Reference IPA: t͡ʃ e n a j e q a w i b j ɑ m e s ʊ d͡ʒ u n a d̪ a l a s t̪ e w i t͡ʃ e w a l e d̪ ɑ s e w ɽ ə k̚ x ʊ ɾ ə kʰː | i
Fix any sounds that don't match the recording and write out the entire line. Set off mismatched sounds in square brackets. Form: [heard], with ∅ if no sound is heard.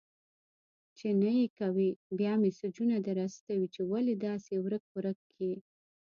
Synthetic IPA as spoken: t͡ʃ e n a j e [k] a w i b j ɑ m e s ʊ d͡ʒ u n a d̪ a [ɾ] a s t̪ [a] w i t͡ʃ e w a l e d̪ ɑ s e w [ɾ] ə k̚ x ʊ ɾ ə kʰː | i